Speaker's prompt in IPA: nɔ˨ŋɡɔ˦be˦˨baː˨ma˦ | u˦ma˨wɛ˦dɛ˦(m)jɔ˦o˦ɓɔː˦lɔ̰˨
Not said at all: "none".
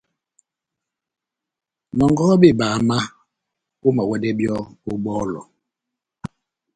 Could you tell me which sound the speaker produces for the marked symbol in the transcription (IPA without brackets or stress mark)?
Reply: b